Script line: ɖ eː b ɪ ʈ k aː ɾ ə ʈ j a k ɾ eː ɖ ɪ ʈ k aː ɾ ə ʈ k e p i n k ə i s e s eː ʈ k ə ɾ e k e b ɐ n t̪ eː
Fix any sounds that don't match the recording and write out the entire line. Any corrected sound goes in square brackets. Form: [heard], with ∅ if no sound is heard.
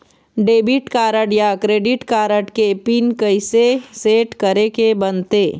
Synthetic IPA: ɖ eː b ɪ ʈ k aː ɾ ə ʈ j a k ɾ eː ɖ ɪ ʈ k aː ɾ ə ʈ k e p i n k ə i s e s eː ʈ k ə ɾ e k e b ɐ n t̪ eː